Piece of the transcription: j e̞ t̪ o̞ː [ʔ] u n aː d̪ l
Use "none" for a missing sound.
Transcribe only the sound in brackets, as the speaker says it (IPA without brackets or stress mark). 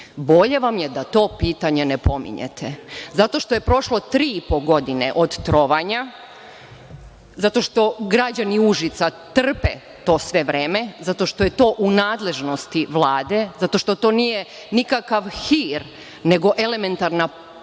ʔ